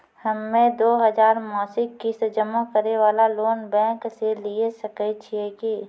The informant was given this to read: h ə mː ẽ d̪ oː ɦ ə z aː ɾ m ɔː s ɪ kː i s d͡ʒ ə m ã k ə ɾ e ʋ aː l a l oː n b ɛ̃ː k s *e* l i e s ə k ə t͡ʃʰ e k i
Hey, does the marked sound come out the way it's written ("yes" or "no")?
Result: yes